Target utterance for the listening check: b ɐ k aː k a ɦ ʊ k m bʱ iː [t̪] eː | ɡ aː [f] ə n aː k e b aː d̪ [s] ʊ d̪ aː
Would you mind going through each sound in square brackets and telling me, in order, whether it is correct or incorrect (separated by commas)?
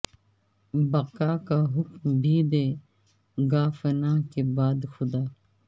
incorrect, correct, incorrect